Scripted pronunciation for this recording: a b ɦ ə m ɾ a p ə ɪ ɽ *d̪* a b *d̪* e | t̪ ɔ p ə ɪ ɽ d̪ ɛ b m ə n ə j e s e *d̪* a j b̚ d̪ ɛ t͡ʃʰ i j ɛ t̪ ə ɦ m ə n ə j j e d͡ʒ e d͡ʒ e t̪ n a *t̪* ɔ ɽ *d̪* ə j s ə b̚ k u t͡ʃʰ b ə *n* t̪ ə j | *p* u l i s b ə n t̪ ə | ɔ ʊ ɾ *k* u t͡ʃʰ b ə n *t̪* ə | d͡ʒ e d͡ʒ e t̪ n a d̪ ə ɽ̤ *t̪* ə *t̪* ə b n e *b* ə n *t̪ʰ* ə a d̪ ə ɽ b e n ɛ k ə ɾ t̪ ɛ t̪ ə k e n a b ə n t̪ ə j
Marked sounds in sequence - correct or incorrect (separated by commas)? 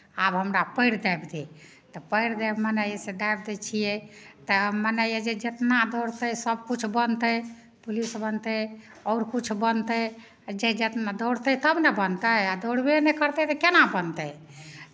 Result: correct, correct, correct, incorrect, incorrect, correct, correct, correct, correct, correct, correct, correct, incorrect